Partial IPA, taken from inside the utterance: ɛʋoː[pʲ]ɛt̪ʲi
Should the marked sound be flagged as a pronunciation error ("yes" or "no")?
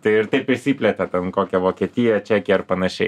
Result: yes